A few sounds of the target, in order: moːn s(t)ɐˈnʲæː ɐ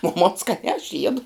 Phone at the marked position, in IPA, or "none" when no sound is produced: k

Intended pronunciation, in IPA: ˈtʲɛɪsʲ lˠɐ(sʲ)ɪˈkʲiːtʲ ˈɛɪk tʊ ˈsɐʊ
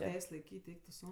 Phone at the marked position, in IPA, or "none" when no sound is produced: none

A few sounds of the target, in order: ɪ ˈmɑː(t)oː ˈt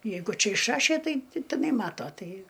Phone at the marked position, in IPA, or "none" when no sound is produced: t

